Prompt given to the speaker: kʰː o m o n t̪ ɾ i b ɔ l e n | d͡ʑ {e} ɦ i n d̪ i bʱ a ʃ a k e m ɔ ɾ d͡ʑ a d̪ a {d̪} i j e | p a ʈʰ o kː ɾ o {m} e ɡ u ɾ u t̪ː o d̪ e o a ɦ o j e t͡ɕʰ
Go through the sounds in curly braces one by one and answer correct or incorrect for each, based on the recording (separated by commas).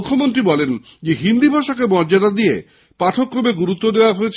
correct, correct, correct